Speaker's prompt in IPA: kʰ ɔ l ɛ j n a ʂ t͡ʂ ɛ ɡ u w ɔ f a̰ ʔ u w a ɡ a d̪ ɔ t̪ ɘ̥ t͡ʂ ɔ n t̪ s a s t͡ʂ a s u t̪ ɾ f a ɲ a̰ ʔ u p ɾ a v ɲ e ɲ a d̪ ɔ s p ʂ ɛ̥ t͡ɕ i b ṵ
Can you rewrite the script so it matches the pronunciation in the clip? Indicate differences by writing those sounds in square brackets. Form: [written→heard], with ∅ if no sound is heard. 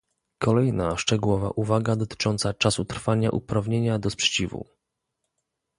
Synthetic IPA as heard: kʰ ɔ l ɛ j n a ʂ t͡ʂ ɛ ɡ u w ɔ [f→v] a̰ ʔ u [w→v] a ɡ a d̪ ɔ t̪ ɘ̥ t͡ʂ ɔ n t̪ s a [s→∅] t͡ʂ a s u t̪ ɾ f a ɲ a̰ ʔ u p ɾ a v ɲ e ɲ a d̪ ɔ s p ʂ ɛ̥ t͡ɕ i [b→v] ṵ